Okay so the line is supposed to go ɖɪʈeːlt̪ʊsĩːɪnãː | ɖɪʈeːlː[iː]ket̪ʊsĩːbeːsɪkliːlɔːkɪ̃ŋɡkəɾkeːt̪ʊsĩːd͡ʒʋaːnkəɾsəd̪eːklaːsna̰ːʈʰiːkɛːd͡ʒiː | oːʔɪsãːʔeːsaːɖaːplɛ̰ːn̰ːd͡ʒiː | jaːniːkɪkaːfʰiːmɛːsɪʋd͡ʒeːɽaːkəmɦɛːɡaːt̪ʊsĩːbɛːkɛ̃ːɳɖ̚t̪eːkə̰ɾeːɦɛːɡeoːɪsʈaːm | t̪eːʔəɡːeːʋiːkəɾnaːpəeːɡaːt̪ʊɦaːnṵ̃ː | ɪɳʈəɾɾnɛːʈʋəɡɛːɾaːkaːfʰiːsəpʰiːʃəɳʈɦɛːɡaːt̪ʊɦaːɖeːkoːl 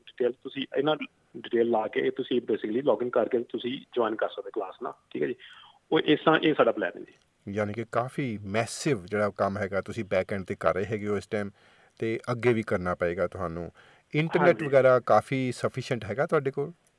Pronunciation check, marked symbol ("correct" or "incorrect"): incorrect